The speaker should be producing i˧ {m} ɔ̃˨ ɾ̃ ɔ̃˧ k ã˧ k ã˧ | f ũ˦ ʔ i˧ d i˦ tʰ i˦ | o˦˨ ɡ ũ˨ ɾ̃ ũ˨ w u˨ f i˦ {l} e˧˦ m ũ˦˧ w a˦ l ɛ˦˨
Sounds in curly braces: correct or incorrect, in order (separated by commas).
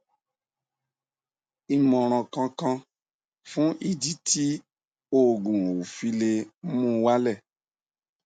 correct, correct